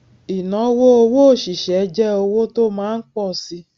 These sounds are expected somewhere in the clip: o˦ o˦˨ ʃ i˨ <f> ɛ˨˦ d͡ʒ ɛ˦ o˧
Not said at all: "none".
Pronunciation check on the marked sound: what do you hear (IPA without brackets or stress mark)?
ʃ